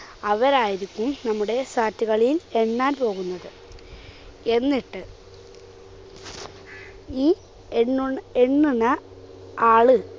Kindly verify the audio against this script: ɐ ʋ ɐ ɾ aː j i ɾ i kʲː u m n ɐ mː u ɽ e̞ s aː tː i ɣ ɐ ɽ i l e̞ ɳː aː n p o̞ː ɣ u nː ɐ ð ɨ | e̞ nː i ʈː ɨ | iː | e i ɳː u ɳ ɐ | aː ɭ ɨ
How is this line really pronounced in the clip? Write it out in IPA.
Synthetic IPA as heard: ɐ ʋ ɐ ɾ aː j i ɾ i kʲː u m n ɐ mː u ɽ e̞ s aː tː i ɣ ɐ ɭ i l e̞ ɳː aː n p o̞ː ɣ u nː ɐ ð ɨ | e̞ nː i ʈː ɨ | iː | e e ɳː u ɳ ɐ | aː ɭ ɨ